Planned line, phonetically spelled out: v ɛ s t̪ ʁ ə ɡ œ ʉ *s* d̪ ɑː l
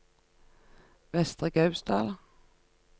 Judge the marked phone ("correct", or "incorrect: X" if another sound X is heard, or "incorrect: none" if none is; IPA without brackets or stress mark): correct